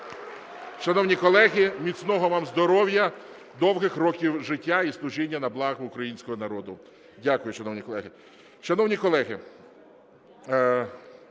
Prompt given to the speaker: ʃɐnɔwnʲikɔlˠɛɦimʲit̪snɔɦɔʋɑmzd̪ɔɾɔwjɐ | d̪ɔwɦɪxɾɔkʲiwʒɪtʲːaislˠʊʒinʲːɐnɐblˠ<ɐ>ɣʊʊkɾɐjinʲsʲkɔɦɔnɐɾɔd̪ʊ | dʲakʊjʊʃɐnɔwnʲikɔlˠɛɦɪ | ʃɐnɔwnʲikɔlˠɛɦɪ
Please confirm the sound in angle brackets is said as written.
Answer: no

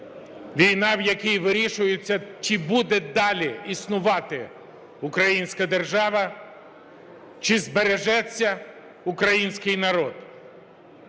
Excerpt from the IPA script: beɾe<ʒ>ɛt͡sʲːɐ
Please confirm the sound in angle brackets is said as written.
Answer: yes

